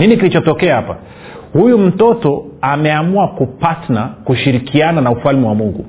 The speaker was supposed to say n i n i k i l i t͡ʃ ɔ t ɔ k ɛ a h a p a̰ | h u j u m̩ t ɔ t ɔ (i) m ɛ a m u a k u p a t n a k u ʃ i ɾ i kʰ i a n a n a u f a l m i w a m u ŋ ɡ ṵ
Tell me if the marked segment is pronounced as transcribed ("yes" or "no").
no